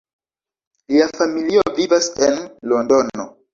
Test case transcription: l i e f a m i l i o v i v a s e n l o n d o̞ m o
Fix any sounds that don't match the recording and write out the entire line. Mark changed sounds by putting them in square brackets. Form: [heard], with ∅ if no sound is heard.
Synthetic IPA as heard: l i [a] f a m i l i o v i v a s e n l o n d o̞ [n] o